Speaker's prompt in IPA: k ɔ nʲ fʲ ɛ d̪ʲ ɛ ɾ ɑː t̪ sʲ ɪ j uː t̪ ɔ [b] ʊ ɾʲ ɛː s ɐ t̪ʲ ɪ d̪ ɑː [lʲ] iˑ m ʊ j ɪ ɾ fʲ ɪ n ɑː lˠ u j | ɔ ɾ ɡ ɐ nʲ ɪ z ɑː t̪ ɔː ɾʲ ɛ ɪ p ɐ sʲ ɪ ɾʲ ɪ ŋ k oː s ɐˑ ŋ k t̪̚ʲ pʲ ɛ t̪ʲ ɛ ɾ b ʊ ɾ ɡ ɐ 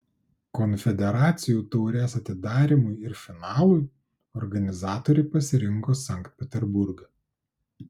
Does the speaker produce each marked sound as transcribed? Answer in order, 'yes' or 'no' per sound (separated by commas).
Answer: no, no